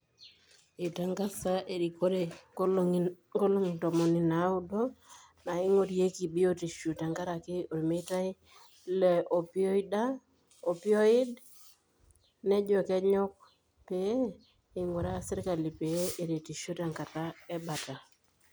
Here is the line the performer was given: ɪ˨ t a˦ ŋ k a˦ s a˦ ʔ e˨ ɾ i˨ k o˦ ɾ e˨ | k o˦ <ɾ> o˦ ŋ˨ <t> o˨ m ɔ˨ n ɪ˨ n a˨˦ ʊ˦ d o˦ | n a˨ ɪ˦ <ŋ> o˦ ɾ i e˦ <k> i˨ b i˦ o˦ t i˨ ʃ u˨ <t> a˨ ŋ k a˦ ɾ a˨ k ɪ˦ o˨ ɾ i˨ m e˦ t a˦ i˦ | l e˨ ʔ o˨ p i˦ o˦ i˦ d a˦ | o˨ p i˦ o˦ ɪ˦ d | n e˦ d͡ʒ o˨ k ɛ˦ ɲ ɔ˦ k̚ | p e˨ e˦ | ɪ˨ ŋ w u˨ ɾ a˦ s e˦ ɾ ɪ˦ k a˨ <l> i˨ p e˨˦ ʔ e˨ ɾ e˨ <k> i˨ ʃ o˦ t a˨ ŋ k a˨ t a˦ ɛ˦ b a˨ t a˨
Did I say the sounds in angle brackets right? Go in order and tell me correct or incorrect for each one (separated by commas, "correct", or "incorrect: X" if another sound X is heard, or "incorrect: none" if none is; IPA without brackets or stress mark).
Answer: incorrect: l, correct, correct, correct, correct, correct, incorrect: t